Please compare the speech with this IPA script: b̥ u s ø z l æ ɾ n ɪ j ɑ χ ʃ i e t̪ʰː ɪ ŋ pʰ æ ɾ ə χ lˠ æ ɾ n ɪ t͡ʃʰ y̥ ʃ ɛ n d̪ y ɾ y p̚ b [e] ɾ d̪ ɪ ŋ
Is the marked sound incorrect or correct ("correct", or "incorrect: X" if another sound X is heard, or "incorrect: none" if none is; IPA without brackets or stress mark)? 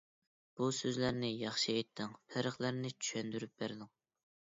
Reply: incorrect: æ